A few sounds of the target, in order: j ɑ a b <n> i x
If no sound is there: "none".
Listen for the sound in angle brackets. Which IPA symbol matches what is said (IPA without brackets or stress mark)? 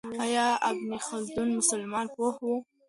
n